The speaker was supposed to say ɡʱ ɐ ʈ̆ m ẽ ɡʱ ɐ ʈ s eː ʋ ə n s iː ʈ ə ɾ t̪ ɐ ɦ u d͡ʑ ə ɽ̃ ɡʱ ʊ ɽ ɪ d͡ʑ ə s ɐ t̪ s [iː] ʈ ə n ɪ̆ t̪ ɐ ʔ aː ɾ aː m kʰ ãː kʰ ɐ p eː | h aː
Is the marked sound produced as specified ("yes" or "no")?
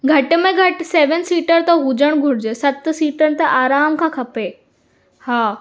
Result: yes